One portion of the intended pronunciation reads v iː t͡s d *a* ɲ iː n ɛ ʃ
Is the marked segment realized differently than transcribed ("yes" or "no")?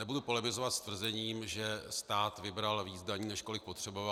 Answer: no